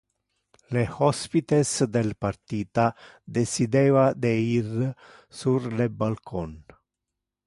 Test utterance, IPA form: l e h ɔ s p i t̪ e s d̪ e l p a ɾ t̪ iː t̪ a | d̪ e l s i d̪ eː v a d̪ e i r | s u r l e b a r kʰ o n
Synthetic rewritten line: l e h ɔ s p i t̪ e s d̪ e l p a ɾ t̪ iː t̪ a | d̪ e s i d̪ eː v a d̪ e i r | s u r l e b a l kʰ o n